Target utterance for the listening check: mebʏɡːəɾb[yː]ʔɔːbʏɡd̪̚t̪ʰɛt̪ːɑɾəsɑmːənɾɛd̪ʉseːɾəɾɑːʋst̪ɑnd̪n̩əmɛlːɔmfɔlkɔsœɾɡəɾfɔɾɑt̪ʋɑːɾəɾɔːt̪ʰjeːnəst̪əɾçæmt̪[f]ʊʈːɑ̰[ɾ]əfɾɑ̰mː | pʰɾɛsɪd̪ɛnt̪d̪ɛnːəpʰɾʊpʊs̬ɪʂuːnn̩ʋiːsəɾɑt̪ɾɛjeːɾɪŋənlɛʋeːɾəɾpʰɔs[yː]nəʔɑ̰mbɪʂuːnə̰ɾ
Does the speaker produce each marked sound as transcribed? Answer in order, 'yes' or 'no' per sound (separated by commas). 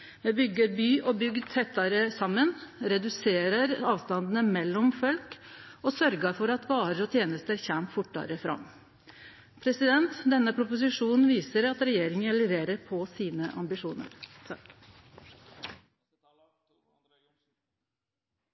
yes, yes, yes, no